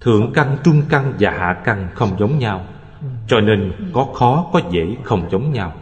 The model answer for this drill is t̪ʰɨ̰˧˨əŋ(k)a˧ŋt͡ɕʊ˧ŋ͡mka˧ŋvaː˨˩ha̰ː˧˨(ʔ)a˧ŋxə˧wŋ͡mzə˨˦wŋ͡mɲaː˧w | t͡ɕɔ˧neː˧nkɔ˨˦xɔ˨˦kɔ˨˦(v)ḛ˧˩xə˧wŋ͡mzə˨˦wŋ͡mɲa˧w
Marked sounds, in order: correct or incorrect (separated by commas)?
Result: correct, incorrect, incorrect